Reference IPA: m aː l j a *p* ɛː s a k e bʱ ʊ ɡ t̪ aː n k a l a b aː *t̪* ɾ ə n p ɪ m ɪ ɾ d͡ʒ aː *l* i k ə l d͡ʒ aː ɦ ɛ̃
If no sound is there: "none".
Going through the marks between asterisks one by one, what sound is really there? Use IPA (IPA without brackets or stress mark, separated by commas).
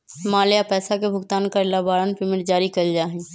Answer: p, none, ɾ